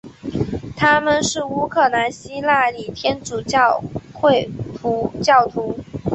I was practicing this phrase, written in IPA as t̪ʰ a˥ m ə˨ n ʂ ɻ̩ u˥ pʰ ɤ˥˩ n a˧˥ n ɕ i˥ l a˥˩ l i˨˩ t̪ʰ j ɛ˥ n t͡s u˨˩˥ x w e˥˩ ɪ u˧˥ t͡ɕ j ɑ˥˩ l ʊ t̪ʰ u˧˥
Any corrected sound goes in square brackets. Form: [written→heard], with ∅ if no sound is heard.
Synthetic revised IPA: t̪ʰ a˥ m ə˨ n ʂ ɻ̩ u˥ [pʰ→kʰ] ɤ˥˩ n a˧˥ n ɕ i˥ l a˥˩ l i˨˩ t̪ʰ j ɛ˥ n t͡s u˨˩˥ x w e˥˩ ɪ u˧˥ t͡ɕ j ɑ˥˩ [l→∅] ʊ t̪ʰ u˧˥